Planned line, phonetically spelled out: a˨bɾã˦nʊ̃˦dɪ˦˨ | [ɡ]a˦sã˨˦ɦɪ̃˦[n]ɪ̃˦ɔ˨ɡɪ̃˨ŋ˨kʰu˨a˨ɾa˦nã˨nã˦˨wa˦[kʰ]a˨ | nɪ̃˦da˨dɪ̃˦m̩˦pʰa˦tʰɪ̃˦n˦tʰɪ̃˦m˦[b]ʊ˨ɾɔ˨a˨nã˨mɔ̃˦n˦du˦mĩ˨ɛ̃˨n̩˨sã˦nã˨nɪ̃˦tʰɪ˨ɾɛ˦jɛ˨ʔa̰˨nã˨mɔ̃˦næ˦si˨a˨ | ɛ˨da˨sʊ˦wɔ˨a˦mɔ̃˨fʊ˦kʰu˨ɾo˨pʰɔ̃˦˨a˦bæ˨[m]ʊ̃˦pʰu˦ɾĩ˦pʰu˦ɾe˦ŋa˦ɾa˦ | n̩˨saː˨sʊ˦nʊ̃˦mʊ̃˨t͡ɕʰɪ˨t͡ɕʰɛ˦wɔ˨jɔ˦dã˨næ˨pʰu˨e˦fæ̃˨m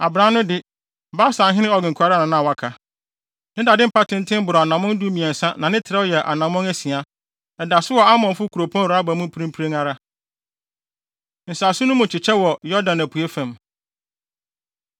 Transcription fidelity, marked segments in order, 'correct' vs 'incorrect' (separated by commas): incorrect, correct, correct, correct, correct